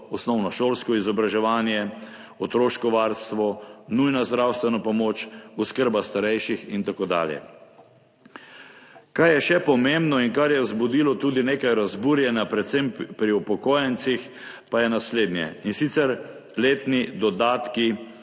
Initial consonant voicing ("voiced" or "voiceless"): voiceless